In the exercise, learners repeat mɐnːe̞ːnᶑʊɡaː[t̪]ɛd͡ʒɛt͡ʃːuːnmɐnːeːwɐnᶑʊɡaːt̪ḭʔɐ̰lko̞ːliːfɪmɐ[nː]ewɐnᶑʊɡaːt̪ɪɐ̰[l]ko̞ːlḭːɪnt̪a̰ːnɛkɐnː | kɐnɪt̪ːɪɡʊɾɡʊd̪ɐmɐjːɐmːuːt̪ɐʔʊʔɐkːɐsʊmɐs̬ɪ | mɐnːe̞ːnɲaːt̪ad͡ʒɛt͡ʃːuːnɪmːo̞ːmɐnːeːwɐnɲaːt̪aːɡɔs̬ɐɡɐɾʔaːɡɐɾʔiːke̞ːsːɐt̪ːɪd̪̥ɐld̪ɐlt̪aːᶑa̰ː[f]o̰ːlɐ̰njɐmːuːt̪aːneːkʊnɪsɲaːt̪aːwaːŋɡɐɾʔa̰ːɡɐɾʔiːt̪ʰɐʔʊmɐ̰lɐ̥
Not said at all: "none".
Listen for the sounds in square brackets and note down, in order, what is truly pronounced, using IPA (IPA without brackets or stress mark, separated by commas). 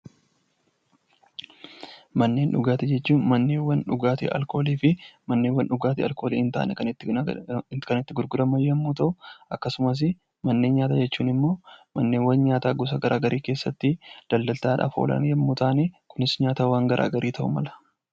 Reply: t̪, nː, l, f